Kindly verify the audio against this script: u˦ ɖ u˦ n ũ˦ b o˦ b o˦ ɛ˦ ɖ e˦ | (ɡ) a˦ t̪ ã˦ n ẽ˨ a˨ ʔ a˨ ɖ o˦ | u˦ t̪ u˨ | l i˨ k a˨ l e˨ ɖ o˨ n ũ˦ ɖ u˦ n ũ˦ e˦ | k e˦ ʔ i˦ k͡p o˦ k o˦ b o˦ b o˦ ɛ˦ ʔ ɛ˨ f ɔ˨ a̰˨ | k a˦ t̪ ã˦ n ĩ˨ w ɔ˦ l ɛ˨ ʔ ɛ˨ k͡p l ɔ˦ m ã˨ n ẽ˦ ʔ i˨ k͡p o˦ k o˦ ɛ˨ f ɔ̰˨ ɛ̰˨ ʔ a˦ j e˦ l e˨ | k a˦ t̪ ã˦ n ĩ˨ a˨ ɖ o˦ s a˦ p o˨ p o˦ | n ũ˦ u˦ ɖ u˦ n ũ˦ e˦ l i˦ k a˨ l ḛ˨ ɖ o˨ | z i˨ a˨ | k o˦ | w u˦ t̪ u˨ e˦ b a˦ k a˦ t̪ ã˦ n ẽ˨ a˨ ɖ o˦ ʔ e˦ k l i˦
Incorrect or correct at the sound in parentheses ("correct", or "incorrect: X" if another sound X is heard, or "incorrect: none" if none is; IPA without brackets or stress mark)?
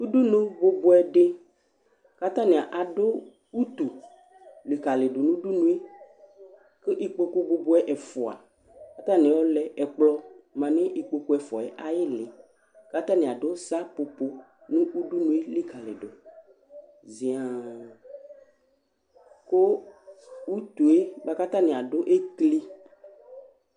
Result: incorrect: k